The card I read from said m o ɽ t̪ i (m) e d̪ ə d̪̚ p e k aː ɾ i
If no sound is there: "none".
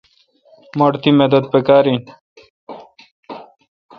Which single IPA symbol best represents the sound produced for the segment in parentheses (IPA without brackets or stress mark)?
m